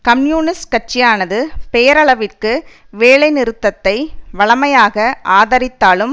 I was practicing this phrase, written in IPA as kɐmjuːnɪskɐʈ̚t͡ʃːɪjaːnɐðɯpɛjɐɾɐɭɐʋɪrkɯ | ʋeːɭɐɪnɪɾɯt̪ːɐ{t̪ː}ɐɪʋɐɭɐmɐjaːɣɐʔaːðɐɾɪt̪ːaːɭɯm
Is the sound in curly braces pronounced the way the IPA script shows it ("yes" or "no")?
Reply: yes